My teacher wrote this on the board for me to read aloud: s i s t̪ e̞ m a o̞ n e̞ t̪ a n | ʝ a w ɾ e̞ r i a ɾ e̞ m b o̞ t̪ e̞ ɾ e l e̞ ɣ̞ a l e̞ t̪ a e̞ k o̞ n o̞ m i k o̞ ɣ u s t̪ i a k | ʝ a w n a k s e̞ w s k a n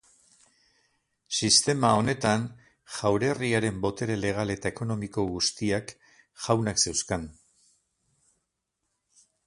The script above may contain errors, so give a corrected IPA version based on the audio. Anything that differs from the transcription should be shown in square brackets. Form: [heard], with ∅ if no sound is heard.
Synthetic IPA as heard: s i s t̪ e̞ m a o̞ n e̞ t̪ a n | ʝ a w ɾ e̞ r i a ɾ e̞ m b o̞ t̪ e̞ ɾ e l e̞ ɣ̞ a l e̞ t̪ a e̞ k o̞ n o̞ m i k o̞ ɣ u s t̪ i a k | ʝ a w n a k s e̞ w s k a n